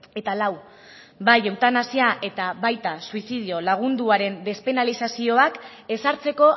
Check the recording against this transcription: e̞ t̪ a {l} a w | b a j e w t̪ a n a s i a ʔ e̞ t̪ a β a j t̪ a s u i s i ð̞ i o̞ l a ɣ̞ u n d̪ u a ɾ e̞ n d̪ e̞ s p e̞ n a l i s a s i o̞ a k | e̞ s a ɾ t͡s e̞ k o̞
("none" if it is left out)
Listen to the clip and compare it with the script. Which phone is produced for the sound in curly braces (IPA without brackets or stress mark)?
l